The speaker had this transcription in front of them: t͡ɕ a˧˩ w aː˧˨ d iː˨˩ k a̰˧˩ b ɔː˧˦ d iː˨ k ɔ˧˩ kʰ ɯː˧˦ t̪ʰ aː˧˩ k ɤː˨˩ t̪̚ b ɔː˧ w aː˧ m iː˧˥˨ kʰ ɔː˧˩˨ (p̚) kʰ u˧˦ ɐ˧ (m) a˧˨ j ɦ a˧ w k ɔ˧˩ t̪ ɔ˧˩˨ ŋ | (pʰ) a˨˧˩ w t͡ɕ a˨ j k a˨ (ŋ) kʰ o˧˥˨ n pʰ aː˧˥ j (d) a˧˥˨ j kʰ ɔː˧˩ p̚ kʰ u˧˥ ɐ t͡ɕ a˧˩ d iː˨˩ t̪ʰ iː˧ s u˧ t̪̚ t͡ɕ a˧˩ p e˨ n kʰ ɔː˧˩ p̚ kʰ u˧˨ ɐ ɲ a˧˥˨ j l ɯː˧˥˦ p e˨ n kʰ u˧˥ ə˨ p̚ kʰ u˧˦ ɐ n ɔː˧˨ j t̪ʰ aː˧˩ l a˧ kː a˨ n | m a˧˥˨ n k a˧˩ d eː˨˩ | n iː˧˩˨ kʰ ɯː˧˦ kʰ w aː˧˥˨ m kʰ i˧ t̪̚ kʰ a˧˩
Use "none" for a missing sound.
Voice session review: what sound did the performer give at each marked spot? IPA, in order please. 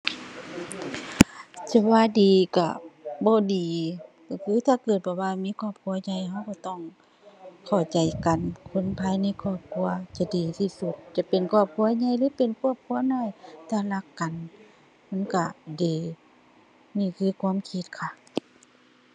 p̚, ɲ, kʰ, n, n

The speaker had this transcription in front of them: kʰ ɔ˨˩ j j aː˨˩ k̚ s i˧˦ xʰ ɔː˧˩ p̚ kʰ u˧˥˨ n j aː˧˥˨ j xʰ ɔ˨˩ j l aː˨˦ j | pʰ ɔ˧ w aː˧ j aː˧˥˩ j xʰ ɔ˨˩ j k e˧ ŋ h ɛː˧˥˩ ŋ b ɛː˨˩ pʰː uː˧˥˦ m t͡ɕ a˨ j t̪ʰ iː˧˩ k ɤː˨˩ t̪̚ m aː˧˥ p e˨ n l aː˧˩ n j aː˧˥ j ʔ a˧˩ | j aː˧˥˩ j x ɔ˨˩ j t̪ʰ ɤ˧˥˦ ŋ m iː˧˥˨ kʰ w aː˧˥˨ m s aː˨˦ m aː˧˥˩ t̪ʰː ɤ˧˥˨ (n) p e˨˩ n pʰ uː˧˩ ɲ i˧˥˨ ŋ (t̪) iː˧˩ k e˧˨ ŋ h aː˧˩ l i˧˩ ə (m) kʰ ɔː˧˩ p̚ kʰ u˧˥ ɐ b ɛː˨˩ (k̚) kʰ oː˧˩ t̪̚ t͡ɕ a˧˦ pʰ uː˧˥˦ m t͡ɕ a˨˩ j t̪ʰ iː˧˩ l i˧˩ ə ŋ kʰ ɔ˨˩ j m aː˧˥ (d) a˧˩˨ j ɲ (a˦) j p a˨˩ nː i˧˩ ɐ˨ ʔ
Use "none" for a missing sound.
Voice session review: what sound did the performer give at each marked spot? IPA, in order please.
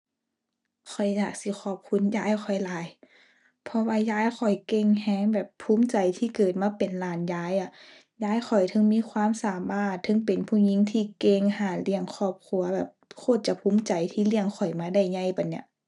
ŋ, t̪ʰ, ŋ, p̚, d, a˧˩

